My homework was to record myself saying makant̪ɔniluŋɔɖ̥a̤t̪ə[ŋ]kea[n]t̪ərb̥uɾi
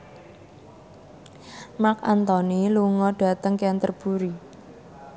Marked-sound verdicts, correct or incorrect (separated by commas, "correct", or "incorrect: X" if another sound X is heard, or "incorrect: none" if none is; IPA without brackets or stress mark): correct, correct